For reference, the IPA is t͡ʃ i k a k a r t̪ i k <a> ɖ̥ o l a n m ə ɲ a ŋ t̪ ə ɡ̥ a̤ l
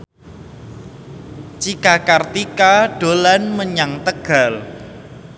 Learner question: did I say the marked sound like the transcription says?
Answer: yes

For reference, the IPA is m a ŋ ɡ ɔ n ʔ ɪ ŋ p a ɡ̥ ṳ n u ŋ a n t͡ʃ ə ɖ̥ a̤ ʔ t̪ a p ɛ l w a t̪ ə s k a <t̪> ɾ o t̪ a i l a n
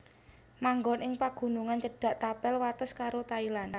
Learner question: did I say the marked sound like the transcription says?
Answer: no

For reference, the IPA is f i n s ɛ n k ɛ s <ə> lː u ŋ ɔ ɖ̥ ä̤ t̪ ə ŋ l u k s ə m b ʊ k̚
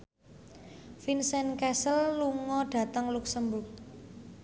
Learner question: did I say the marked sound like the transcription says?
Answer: yes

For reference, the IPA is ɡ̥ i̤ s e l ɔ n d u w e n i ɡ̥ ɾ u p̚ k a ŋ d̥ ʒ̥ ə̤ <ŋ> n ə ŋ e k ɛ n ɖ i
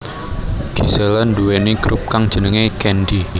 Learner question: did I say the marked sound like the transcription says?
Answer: no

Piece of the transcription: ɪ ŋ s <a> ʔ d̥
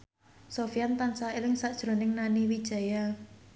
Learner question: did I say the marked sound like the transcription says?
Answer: yes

